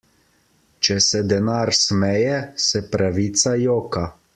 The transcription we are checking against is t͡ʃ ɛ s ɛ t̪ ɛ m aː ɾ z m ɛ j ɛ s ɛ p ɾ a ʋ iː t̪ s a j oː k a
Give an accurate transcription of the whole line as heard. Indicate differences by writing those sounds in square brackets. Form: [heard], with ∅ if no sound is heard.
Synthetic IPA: t͡ʃ ɛ s ɛ [d̪] ɛ [n] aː ɾ [s] m ɛ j ɛ s ɛ p ɾ a ʋ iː t̪ s a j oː k a